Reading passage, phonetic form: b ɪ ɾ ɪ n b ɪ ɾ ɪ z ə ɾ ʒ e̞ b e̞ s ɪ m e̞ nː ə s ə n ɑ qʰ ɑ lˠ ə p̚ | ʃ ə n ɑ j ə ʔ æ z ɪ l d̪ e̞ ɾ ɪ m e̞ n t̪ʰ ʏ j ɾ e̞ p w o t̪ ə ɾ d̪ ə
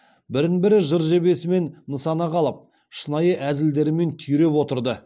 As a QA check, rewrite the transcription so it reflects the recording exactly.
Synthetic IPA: b ɪ ɾ ɪ n b ɪ ɾ ɪ ʒ ə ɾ ʒ e̞ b e̞ s ɪ m e̞ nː ə s ɑ n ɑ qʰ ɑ lˠ ə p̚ | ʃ ə n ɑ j ə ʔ æ z ɪ l d̪ e̞ ɾ ɪ m e̞ n t̪ʰ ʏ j ɾ e̞ p w o t̪ ə ɾ d̪ ə